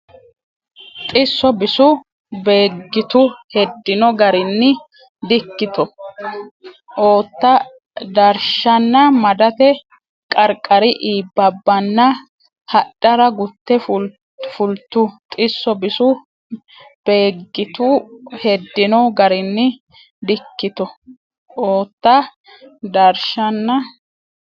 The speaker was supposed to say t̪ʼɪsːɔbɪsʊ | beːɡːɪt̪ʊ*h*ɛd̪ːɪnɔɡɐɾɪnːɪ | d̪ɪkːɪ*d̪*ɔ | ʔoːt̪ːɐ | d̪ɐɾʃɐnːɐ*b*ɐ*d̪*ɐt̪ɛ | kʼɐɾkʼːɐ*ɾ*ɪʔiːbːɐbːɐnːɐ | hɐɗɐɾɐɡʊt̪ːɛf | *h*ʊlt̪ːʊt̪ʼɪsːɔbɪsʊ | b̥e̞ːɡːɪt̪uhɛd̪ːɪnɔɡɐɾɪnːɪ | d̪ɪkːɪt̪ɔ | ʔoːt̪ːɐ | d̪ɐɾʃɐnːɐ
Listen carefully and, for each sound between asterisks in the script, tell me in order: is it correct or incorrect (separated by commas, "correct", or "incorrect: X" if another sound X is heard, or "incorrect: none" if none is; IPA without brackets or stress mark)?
correct, incorrect: t̪, incorrect: m, correct, correct, incorrect: f